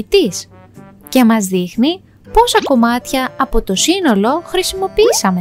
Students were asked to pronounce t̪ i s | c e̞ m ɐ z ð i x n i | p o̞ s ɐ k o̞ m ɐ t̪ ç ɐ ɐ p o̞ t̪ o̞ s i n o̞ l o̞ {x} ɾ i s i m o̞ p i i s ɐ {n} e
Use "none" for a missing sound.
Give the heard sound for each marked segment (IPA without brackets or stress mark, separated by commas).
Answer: x, m